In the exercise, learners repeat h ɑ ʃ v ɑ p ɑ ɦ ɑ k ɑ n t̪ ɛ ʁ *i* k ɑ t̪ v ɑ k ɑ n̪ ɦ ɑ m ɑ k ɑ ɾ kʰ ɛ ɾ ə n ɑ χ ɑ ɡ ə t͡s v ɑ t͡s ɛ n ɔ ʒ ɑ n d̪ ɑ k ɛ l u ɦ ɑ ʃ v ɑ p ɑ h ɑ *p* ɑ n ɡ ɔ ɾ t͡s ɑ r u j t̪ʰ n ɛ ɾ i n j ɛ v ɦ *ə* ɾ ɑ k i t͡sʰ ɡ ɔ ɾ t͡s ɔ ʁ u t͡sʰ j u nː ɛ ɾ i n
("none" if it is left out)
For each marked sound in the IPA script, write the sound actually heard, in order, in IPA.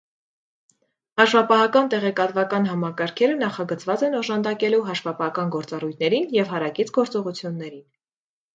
ɛ, k, ɑ

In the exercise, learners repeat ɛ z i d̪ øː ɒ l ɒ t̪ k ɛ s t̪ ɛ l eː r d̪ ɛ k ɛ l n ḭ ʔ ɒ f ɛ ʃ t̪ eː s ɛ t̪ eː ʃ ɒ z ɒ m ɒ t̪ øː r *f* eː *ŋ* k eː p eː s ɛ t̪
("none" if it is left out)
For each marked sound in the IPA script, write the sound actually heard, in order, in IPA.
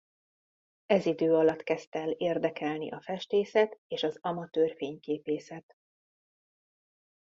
f, ɲ

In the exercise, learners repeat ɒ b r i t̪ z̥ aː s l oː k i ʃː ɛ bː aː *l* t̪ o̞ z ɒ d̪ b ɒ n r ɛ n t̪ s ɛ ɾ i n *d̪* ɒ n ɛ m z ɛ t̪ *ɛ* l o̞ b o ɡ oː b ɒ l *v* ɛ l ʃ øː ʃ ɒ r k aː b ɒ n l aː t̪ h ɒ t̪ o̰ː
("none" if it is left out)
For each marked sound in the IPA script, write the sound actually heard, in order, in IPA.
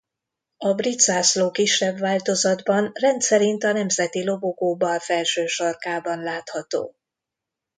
l, t̪, i, f

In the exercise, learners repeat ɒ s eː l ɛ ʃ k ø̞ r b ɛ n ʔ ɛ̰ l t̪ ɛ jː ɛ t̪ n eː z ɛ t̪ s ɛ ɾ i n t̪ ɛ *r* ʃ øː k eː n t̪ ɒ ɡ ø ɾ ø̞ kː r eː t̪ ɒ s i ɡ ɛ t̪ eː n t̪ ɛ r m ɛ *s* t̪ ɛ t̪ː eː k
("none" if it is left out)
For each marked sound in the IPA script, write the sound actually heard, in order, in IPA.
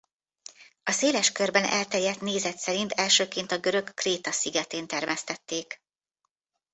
l, s

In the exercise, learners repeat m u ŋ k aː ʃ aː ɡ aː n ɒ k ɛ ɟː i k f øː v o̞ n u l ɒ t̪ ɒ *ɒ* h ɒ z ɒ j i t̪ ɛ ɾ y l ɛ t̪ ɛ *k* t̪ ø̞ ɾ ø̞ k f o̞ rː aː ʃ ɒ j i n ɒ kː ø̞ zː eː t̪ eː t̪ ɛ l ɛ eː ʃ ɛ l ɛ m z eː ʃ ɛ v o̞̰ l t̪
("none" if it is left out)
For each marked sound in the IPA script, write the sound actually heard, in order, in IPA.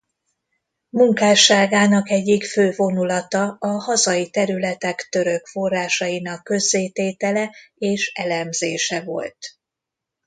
ɒ, k

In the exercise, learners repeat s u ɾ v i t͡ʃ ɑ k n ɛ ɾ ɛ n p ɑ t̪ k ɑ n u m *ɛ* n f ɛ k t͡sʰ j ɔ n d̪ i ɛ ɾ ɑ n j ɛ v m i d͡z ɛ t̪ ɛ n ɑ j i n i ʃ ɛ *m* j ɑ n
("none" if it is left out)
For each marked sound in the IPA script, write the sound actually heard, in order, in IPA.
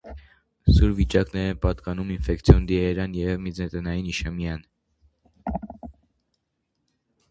i, m

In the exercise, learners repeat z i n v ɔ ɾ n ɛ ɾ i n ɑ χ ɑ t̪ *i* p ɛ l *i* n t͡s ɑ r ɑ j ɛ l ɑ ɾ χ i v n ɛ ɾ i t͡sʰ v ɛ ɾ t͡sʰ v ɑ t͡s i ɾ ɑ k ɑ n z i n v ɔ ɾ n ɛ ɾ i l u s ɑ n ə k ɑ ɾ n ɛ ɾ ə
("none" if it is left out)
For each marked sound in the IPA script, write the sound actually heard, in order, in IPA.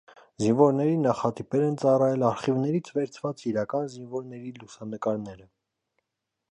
i, ɛ

